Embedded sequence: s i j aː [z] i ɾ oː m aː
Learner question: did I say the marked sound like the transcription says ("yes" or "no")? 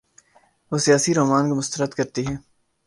no